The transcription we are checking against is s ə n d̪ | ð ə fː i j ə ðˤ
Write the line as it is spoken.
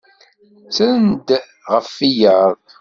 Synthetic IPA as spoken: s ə n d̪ | ʁ ə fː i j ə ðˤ